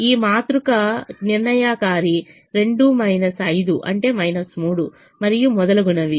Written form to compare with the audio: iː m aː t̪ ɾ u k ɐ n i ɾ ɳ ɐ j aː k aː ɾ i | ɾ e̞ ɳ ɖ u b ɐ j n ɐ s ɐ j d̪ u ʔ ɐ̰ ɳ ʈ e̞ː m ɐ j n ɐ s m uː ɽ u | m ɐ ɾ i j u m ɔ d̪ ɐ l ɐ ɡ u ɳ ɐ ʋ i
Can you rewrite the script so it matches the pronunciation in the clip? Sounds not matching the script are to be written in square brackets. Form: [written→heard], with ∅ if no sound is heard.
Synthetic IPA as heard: iː m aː t̪ ɾ u k ɐ n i ɾ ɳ ɐ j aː k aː ɾ i | ɾ e̞ ɳ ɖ u [b→m] ɐ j n ɐ s ɐ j d̪ u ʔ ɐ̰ ɳ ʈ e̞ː m ɐ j n ɐ s m uː ɽ u | m ɐ ɾ i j u m ɔ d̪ ɐ l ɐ ɡ u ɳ ɐ ʋ i